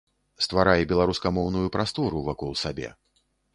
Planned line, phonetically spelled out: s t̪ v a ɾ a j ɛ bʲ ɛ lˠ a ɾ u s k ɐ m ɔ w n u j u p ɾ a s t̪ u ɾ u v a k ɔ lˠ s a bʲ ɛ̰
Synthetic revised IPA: s t̪ v a ɾ a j ɛ bʲ ɛ lˠ a ɾ u s k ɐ m ɔ w n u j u p ɾ a s t̪ ɔ ɾ u v a k ɔ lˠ s a bʲ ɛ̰